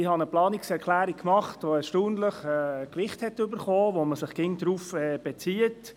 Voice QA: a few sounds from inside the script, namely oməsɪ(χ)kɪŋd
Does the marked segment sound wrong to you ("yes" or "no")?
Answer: no